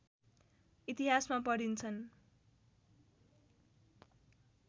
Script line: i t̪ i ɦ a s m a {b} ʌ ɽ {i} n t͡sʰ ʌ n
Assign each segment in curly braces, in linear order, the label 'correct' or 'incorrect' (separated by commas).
incorrect, correct